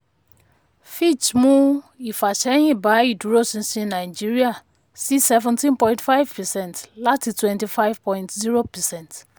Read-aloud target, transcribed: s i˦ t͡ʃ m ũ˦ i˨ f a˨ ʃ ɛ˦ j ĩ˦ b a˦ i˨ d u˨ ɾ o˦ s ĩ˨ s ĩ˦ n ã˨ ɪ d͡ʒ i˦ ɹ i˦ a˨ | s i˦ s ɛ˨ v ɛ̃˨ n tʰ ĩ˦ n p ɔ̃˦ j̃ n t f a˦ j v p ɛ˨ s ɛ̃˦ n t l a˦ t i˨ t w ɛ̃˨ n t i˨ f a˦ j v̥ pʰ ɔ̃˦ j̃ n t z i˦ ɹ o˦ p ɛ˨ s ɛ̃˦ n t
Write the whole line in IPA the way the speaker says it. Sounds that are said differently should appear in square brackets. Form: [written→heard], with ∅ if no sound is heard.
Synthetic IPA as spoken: [s→f] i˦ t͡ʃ m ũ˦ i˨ f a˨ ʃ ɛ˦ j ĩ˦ b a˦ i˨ d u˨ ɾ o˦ s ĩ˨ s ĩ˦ n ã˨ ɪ d͡ʒ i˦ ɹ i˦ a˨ | s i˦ s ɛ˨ v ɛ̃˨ n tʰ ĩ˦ n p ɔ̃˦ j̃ n t f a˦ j v p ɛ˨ s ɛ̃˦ n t l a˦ t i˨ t w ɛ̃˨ n t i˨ f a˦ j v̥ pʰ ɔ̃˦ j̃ n t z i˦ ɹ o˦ p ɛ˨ s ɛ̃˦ n t